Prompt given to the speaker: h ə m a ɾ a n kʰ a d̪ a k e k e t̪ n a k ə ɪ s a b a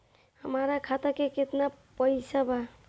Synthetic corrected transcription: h ə m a ɾ a kʰ a t̪ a k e k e t̪ n a p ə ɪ s a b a